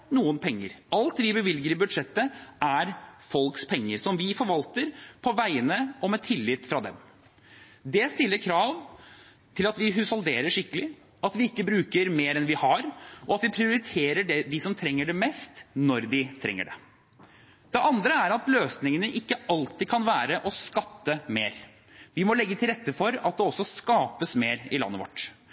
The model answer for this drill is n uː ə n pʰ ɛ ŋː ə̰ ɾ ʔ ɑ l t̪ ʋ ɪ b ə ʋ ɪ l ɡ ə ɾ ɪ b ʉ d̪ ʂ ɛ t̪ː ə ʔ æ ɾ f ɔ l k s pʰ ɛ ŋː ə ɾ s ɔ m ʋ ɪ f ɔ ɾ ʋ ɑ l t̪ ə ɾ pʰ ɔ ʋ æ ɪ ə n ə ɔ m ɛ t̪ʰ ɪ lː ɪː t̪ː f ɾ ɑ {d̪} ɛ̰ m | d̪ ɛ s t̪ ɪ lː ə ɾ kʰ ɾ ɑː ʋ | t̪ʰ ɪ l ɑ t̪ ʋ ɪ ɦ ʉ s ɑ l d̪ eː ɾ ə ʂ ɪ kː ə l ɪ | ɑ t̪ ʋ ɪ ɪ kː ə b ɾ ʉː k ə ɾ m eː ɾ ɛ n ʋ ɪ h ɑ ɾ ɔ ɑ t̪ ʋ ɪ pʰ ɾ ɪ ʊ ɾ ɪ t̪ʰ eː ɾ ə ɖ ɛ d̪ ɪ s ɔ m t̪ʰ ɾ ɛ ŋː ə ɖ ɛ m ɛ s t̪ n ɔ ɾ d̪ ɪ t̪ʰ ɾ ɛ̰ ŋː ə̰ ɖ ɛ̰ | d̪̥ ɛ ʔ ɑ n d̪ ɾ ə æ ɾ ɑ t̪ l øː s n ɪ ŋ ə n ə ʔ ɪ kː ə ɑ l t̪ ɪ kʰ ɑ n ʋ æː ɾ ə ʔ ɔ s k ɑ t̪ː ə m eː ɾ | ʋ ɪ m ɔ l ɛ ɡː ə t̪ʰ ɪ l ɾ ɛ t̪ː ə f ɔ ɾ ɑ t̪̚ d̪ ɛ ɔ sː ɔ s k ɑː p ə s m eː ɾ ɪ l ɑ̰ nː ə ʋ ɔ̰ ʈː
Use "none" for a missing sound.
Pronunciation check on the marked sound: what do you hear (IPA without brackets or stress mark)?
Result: d̪